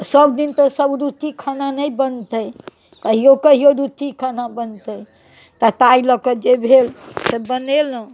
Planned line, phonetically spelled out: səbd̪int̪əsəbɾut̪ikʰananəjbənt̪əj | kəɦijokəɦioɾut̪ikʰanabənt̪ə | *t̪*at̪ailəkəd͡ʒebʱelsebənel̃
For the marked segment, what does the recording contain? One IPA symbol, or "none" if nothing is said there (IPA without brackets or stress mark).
t̪